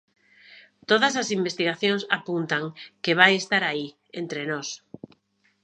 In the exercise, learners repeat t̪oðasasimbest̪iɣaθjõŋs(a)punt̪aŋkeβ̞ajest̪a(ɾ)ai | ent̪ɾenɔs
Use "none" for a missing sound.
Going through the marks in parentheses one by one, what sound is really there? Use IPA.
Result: a, ɾ

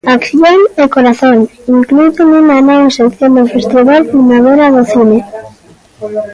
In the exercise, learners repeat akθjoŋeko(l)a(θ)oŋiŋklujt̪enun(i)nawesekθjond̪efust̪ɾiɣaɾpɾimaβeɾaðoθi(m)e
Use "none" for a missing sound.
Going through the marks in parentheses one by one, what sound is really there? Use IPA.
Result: ɾ, θ, a, n

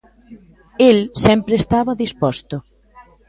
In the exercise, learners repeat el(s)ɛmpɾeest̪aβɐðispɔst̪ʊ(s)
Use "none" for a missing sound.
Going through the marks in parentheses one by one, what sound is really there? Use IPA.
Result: s, none

